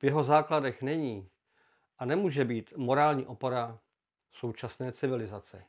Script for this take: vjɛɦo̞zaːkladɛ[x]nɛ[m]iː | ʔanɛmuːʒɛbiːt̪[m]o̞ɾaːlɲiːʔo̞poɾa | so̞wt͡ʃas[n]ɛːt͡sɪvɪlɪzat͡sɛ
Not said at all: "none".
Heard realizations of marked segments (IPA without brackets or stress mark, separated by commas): x, ɲ, m, n